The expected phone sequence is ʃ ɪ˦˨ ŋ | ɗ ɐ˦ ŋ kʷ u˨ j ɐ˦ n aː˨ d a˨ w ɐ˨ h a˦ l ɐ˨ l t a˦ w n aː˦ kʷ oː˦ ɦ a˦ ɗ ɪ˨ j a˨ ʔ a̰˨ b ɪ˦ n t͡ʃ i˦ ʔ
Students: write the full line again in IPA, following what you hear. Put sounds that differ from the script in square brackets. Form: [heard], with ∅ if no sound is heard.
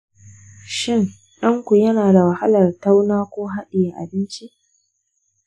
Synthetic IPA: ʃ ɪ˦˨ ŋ | ɗ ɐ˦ ŋ kʷ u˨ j ɐ˦ n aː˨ d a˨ w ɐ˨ h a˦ l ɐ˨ [r] t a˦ w n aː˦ kʷ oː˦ ɦ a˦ ɗ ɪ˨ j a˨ ʔ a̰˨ b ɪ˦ n t͡ʃ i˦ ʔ